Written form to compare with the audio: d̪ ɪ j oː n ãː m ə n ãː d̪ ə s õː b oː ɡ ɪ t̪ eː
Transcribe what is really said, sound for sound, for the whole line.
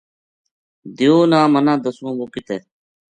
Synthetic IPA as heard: d̪ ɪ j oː n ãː m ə n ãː d̪ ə s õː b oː k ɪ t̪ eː